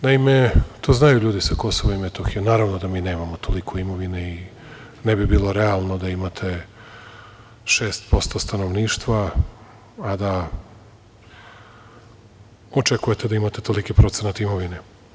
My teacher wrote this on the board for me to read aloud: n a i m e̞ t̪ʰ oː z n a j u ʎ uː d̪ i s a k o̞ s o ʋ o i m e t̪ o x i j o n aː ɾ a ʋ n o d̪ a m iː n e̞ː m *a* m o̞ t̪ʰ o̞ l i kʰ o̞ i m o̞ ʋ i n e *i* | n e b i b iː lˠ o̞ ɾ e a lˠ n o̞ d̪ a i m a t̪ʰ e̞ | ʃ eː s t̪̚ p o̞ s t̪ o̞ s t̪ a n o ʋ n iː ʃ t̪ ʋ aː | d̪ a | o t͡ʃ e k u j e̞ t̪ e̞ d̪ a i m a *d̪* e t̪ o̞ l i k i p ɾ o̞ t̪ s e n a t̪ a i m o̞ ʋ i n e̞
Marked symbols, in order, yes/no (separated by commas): yes, yes, no